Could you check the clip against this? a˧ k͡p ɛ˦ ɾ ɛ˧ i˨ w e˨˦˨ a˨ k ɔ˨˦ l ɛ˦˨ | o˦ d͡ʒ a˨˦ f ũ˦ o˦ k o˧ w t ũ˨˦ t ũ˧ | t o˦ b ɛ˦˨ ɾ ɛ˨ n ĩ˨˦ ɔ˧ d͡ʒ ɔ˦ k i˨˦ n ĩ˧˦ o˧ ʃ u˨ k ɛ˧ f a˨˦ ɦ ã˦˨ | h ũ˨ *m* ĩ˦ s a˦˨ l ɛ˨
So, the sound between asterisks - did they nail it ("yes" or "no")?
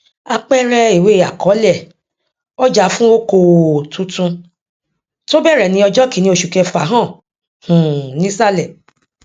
no